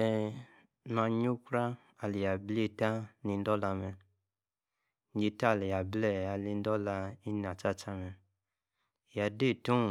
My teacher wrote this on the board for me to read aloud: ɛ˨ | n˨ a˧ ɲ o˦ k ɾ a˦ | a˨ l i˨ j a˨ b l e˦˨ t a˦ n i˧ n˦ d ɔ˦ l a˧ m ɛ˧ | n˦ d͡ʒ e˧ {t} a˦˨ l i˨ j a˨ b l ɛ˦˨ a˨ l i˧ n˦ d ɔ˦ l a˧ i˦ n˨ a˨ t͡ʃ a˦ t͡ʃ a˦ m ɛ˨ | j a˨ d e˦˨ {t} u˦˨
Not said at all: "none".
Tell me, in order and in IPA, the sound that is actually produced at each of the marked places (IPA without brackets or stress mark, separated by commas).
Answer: t, t